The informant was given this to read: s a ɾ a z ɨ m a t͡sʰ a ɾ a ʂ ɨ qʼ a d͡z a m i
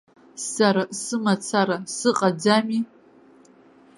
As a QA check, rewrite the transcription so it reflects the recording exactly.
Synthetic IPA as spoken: s a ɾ a s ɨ m a t͡sʰ a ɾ a s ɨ qʼ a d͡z a m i